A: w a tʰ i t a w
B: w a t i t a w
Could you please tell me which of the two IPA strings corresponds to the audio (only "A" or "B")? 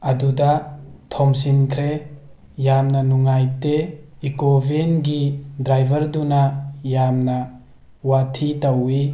A